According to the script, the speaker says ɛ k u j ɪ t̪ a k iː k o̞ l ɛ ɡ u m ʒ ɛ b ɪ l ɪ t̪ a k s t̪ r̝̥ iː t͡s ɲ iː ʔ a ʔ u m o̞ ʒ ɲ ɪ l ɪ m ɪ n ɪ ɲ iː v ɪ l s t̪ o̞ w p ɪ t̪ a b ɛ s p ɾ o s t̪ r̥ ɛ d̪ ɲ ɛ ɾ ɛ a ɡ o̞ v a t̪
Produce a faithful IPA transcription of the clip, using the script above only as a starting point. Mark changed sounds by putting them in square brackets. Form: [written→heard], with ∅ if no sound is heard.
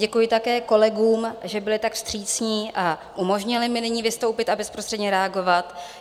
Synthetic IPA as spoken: ɛ k u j ɪ t̪ a k [iː→ɛː] k o̞ l ɛ ɡ [u→uː] m ʒ ɛ b ɪ l ɪ t̪ a k s t̪ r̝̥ iː t͡s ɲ iː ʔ a ʔ u m o̞ ʒ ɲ ɪ l ɪ m ɪ n ɪ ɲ iː v ɪ [l→∅] s t̪ o̞ w p ɪ t̪ a b ɛ s p ɾ o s t̪ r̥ ɛ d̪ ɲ ɛ ɾ ɛ a ɡ o̞ v a t̪